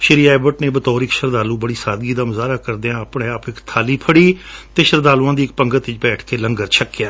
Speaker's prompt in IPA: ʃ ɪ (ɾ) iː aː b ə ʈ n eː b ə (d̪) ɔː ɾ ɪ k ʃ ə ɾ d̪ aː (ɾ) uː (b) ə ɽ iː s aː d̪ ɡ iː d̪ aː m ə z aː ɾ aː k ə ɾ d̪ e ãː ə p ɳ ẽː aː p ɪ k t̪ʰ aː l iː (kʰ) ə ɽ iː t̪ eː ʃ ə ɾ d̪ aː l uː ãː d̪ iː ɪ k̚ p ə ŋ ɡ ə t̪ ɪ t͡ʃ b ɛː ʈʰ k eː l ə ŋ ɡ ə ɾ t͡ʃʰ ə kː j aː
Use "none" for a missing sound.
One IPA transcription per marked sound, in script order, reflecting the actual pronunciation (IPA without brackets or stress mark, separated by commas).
ɾ, t̪, l, b, pʰ